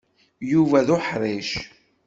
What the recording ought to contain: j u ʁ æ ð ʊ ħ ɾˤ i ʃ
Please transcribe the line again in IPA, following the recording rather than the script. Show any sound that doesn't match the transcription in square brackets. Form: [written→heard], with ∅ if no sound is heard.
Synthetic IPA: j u [ʁ→v] æ ð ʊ ħ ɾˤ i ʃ

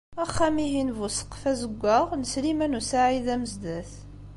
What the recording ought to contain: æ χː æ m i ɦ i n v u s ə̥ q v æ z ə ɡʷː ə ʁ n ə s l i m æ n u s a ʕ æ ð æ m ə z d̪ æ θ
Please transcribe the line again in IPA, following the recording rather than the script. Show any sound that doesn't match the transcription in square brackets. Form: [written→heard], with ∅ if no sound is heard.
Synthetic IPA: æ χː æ m i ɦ i n v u s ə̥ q [v→f] æ z ə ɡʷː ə ʁ n ə s l i m æ n u s a ʕ [æ→i] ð æ m ə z d̪ æ θ

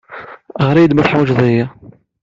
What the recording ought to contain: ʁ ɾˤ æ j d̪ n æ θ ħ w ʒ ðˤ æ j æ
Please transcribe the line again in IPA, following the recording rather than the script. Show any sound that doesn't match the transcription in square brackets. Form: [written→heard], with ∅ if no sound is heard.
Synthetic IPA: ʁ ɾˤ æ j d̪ [n→m] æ θ ħ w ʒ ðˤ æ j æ

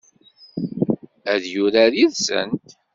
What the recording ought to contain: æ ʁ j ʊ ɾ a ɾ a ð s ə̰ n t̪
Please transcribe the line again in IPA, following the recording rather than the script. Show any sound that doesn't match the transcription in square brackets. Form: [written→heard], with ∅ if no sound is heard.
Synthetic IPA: æ [ʁ→ð] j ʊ ɾ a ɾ [a→i] ð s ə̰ n t̪

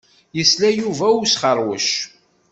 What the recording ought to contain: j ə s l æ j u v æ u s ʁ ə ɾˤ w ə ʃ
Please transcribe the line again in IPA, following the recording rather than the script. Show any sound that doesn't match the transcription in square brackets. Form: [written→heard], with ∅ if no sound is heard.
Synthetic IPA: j ə s l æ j u v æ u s [ʁ→χ] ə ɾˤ w ə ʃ

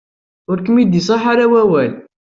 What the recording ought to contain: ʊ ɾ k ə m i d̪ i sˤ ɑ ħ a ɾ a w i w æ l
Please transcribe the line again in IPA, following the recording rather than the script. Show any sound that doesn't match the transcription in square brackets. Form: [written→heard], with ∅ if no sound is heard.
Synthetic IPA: ʊ ɾ k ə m i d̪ i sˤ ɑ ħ a ɾ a w [i→æ] w æ l

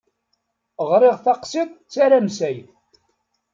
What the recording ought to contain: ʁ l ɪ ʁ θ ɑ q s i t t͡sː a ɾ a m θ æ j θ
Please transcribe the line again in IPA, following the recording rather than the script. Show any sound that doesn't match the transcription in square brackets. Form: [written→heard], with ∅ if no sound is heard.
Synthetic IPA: ʁ [l→ɾ] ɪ ʁ θ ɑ q s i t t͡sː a ɾ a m [θ→s] æ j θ

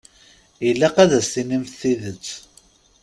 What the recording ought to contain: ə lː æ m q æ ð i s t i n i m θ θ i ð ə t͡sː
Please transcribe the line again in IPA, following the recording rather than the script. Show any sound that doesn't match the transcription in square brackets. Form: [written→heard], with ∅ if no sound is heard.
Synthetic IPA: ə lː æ [m→∅] q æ ð [i→æ] s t i n i m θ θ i ð ə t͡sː

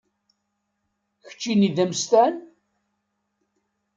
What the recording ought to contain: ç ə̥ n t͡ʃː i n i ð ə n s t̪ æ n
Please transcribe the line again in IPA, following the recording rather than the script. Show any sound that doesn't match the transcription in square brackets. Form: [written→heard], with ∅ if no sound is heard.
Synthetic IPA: ç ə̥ [n→∅] t͡ʃː i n i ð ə [n→m] s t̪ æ n

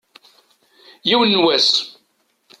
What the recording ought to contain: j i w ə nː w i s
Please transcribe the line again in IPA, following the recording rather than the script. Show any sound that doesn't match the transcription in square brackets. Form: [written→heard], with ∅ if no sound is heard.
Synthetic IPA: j i w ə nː w [i→æ] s

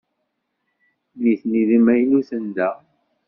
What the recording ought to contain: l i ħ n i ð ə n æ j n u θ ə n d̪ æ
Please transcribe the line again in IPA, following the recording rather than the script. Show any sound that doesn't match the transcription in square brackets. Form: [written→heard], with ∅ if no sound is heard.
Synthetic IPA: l i [ħ→θ] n i ð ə [n→m] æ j n u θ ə n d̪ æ

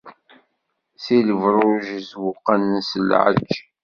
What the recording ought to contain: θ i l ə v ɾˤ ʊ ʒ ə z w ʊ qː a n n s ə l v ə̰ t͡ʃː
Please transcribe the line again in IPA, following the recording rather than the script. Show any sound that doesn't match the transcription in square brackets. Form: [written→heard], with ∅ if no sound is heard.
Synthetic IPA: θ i l ə v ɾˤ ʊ ʒ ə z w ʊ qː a n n s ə l [v→ʕ] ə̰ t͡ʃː

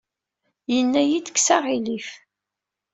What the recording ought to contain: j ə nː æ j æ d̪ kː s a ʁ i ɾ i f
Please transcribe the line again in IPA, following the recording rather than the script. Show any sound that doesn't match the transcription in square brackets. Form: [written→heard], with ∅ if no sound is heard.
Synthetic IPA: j ə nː æ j [æ→i] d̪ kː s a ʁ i [ɾ→l] i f

